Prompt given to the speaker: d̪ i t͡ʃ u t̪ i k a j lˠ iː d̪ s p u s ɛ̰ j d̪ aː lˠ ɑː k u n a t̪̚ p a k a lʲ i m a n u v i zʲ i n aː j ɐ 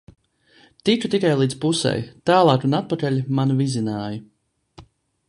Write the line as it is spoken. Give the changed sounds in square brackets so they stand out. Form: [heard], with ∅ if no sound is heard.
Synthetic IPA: [t̪] i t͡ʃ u t̪ i k a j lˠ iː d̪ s p u s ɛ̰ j [t̪] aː lˠ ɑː k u n a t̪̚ p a k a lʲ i m a n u v i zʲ i n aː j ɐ